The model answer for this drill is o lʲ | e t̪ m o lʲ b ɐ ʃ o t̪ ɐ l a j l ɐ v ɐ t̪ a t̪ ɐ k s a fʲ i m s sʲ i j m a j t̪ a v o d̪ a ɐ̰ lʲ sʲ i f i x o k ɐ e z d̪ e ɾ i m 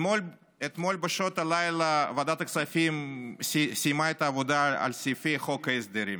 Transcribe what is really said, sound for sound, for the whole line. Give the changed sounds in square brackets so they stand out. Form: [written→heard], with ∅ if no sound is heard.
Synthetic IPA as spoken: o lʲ | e t̪ m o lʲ b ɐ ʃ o t̪ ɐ l a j l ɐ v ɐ [t̪→d̪] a t̪ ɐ k s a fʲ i m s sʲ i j m a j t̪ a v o d̪ a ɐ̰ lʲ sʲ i f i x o k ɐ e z d̪ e ɾ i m